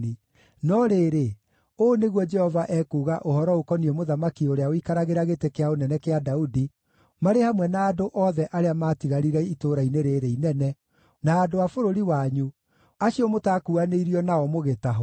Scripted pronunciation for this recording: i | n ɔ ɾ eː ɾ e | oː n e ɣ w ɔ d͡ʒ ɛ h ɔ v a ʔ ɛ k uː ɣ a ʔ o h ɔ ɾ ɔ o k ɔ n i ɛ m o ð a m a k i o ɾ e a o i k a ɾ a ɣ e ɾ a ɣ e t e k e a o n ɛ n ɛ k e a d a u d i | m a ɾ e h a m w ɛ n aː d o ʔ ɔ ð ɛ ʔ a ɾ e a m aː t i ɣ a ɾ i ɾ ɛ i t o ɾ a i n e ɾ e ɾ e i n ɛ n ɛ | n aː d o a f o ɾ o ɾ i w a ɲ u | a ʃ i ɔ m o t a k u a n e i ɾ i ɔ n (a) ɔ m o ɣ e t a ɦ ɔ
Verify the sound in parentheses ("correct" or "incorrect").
correct